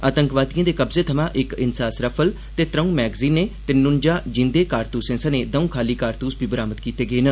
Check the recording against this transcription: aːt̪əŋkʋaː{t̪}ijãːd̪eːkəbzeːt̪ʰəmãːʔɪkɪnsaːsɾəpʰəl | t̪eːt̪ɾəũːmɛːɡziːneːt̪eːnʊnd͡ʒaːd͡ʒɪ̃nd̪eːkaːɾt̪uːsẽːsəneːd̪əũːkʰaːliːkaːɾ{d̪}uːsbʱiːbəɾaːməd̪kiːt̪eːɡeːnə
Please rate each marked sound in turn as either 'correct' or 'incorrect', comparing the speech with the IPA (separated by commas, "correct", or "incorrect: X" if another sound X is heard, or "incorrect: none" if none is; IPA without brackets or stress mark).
incorrect: d̪, incorrect: t̪